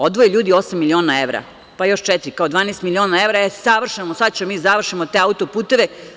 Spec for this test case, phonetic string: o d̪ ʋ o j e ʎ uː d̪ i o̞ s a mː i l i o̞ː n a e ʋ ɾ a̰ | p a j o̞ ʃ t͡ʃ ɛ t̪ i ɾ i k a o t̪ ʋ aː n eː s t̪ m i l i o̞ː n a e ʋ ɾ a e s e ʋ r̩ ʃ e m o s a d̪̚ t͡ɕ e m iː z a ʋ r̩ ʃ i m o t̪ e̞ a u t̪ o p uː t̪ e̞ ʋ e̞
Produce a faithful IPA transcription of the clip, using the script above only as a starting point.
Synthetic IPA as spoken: o d̪ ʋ o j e ʎ uː d̪ i o̞ s a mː i l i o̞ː n a e ʋ ɾ a̰ | p a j o̞ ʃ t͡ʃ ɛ t̪ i ɾ i k a o d̪ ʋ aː n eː s t̪ m i l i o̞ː n a e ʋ ɾ a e s a ʋ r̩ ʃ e m o s a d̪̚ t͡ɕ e m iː z a ʋ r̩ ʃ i m o t̪ e̞ a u t̪ o p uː t̪ e̞ ʋ e̞